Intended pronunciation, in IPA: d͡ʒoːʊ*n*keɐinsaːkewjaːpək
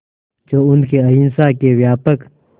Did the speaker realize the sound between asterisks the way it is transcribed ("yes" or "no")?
yes